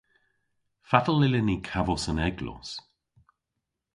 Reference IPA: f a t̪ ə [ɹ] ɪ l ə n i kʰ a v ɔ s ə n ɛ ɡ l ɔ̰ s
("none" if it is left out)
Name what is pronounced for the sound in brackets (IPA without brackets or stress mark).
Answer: l